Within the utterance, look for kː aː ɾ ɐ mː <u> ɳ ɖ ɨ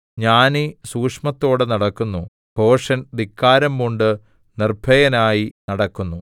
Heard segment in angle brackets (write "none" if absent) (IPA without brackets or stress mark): u